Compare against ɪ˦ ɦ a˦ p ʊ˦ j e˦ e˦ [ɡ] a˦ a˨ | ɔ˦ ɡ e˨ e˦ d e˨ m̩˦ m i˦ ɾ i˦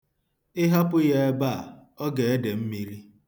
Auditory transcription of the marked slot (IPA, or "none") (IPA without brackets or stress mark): b